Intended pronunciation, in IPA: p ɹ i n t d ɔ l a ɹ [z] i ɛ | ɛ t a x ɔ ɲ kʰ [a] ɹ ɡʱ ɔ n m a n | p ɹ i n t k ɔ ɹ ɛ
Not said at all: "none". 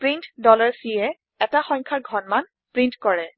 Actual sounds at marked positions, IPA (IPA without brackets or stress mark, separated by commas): s, a